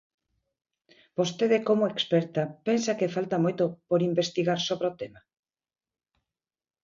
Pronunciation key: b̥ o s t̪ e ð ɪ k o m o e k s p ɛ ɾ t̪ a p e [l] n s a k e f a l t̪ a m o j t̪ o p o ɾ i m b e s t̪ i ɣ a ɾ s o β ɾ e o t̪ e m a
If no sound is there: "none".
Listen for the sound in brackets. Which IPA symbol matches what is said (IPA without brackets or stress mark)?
none